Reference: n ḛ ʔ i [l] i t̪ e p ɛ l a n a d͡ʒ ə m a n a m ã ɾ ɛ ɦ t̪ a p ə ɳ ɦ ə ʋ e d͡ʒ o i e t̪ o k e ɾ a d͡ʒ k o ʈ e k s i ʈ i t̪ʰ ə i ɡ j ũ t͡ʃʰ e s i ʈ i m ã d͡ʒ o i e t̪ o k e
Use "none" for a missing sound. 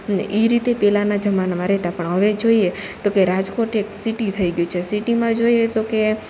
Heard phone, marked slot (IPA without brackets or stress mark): ɾ